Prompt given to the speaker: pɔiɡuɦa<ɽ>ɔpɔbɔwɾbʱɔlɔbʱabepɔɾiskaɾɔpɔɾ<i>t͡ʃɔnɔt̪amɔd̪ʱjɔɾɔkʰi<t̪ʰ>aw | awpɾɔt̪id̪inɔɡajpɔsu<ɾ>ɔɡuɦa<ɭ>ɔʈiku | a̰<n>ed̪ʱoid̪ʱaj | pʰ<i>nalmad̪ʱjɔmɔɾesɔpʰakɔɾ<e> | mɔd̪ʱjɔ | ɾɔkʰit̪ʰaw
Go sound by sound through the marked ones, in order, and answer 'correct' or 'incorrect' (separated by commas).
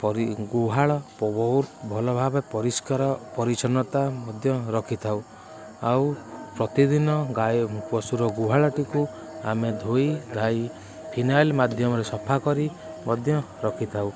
incorrect, correct, correct, correct, correct, incorrect, correct, incorrect